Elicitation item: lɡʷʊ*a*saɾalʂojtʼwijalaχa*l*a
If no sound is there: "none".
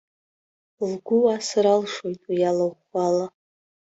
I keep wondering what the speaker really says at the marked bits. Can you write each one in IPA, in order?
a, l

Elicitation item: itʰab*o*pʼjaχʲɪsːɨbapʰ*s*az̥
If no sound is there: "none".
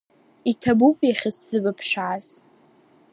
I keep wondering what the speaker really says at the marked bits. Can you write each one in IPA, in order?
u, ʂ

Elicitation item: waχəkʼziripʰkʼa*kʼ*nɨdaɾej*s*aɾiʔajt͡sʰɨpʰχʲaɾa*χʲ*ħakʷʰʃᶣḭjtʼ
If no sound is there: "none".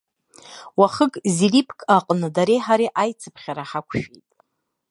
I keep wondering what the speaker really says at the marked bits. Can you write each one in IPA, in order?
qʼ, ħ, none

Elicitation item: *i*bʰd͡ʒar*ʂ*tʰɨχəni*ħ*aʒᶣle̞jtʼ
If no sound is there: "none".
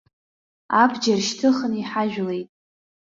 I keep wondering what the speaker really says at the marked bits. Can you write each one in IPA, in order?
a, ʃ, ħ

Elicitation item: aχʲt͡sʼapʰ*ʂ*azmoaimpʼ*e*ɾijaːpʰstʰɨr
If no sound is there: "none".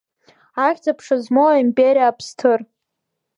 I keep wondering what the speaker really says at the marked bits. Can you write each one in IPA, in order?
ʂ, e

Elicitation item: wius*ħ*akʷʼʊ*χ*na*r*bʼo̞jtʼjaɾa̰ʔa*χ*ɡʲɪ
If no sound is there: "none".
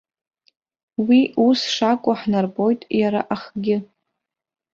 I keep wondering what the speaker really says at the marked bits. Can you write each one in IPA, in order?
ʂ, ħ, r, χ

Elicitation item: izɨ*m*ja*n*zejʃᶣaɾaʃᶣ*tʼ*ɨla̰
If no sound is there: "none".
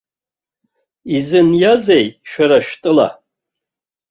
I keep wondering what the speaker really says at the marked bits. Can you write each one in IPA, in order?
n, none, tʼ

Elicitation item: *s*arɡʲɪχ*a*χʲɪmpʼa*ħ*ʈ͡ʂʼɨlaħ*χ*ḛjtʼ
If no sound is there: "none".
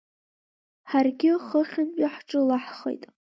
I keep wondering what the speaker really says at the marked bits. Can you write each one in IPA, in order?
ħ, ə, ħ, χ

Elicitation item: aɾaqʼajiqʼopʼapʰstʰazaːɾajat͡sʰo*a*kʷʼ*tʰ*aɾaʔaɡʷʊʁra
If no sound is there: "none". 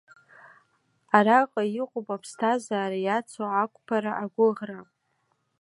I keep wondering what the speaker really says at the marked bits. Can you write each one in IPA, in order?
a, pʰ

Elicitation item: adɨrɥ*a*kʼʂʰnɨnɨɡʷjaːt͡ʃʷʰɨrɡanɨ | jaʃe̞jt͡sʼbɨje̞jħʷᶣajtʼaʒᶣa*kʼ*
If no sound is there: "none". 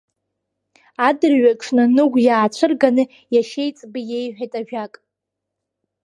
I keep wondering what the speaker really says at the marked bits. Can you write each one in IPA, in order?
a, kʼ

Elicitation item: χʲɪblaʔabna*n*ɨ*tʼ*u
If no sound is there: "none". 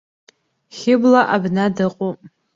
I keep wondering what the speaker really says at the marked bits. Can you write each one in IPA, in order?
d, qʼ

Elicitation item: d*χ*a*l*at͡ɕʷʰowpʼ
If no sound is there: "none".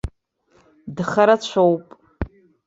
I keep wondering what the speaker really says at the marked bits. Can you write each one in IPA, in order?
χ, ɾ

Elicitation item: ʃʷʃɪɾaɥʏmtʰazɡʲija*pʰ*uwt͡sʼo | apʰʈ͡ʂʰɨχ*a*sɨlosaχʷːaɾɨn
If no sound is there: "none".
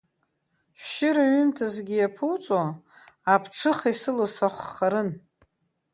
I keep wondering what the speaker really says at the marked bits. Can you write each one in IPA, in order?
pʰ, i

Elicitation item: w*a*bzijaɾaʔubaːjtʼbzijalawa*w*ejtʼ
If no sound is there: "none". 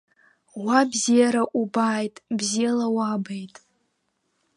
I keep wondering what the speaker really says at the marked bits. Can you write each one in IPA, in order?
a, b

